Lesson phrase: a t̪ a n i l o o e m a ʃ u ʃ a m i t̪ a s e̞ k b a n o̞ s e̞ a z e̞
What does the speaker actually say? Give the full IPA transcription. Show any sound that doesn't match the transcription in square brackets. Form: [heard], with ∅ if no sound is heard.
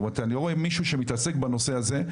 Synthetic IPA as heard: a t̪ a n i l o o e m [i] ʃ u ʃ [e] m i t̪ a s e̞ k b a n o̞ s e̞ a z e̞